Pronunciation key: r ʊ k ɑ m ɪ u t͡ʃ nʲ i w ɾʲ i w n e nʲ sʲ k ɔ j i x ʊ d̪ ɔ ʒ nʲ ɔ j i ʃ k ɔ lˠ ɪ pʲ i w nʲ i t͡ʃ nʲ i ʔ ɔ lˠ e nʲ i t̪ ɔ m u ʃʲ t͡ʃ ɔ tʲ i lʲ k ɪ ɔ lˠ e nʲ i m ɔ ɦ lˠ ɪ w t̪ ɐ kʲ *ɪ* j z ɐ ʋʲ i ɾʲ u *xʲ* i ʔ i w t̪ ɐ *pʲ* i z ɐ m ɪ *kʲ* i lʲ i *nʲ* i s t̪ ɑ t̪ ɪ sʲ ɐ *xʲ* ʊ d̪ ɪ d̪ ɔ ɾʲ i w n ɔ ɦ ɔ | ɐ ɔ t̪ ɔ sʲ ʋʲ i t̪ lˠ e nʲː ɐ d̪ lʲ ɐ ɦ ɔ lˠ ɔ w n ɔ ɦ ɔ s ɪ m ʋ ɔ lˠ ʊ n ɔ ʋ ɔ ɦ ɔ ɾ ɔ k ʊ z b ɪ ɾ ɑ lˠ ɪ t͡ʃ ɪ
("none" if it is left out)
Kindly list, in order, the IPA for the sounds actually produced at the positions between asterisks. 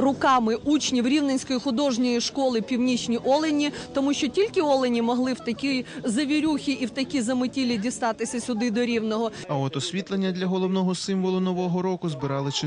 i, xʲ, kʲ, tʲ, dʲ, sʲ

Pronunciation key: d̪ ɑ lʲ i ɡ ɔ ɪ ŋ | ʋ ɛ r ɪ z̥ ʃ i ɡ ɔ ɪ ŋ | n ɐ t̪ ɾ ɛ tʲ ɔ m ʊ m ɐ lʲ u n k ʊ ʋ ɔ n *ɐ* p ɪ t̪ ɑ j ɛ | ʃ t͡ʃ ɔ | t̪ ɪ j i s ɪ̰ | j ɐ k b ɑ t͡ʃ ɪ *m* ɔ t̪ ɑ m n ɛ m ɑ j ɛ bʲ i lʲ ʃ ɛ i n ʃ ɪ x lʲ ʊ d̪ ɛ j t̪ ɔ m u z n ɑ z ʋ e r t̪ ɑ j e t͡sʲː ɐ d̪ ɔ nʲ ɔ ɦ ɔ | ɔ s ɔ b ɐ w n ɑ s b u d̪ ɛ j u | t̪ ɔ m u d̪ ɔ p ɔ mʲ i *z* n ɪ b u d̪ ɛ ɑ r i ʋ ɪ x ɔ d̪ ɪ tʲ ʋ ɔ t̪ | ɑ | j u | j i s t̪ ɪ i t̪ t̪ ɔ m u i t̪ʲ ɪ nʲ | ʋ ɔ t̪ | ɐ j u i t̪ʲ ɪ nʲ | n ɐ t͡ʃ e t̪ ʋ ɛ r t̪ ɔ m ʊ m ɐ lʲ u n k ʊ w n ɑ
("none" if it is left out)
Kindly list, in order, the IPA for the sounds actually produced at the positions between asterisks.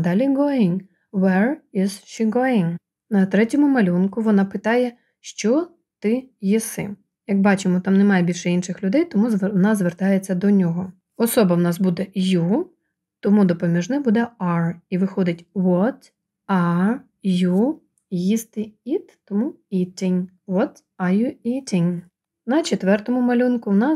ɑ, m, ʒ

